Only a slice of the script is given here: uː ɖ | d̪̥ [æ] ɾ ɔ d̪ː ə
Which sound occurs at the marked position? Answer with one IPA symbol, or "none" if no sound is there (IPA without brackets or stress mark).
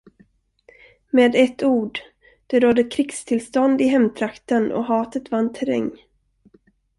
ɛ